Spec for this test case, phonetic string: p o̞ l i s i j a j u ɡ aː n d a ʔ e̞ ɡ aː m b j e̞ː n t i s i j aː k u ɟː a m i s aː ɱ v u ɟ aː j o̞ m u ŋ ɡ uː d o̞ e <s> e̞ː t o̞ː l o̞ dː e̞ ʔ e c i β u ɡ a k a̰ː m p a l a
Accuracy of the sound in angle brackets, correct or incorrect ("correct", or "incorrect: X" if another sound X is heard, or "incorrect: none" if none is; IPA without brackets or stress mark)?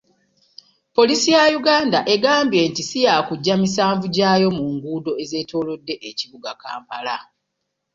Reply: incorrect: z